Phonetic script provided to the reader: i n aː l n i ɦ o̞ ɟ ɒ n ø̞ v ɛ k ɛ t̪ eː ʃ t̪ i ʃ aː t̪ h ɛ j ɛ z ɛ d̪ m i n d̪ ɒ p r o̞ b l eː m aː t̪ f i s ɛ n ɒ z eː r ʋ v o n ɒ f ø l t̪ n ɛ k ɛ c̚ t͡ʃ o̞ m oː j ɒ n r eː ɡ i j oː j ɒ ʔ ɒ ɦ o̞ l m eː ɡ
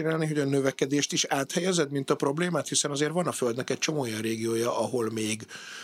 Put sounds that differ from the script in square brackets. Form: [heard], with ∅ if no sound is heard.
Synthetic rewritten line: i n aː l n i ɦ o̞ ɟ ɒ n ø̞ v ɛ k ɛ [d̪] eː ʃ t̪ i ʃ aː t̪ h ɛ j ɛ z ɛ d̪ m i n [t̪] ɒ p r o̞ b l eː m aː t̪ [h] i s ɛ n ɒ z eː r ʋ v [ɒ] n ɒ f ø l [d̪] n ɛ k ɛ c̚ t͡ʃ o̞ m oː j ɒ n r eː ɡ i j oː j ɒ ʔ ɒ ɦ o̞ l m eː ɡ